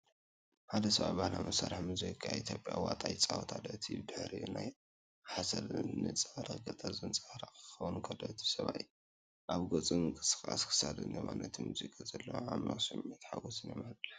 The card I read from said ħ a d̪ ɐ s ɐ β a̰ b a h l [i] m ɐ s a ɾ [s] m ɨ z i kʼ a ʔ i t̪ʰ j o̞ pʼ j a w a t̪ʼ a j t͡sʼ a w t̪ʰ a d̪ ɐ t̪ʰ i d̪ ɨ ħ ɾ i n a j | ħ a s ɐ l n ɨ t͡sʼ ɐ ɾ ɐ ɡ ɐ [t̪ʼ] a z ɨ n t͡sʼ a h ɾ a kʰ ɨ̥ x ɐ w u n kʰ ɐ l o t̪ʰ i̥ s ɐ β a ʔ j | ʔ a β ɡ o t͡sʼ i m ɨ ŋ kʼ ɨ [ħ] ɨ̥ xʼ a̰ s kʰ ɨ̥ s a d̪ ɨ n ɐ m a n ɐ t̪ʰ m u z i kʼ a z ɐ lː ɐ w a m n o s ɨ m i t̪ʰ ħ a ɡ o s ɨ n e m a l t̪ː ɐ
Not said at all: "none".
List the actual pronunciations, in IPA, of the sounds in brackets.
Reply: a, ħ, t̪ʼ, s

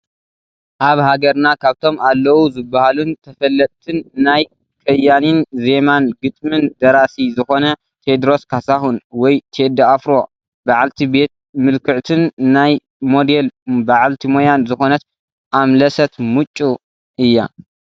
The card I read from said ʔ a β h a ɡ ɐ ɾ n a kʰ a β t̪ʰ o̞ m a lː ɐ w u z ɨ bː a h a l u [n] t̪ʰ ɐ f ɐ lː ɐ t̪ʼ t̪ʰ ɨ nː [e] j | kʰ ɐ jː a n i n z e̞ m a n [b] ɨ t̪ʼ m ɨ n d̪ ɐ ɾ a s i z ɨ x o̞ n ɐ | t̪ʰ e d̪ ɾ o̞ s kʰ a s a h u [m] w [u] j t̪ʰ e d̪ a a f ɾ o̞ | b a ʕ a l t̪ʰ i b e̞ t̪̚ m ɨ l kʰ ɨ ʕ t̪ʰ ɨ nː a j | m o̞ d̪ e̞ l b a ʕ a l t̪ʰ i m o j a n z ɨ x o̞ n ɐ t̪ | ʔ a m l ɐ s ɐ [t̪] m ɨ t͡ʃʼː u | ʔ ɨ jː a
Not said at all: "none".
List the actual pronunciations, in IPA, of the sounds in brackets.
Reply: n, a, ɡ, n, ɔ, t̪

